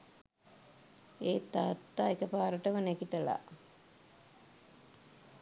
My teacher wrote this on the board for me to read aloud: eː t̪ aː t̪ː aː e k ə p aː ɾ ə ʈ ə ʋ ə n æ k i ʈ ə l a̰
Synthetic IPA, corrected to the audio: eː t̪ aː t̪ː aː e k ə p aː ɾ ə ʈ ə ʋ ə n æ k i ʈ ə l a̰